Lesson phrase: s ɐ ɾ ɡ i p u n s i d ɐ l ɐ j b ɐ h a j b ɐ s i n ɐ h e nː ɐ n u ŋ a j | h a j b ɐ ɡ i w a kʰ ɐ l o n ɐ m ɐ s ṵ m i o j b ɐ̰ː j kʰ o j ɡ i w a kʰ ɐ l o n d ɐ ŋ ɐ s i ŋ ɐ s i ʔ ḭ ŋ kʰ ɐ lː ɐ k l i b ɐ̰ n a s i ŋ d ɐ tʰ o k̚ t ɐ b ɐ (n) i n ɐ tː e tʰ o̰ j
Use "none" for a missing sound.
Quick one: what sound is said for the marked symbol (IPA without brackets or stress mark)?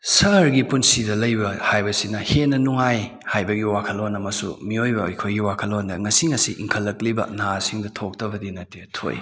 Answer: d